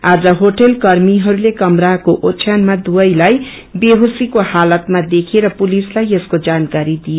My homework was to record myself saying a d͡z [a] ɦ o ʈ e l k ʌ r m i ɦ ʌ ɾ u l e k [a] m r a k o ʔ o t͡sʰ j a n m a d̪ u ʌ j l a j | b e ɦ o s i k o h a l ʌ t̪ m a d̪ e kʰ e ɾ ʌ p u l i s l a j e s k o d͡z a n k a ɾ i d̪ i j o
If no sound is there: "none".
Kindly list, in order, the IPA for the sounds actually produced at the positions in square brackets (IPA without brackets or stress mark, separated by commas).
ʌ, ʌ